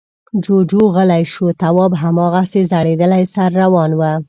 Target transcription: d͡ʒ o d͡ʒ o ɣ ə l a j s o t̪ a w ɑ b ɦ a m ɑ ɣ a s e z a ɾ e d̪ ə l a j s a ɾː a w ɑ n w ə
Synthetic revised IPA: d͡ʒ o d͡ʒ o ɣ ə l a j ʃ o t̪ a w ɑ b ɦ a m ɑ ɣ a s e z a ɽ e d̪ ə l a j s a ɾː a w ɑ n w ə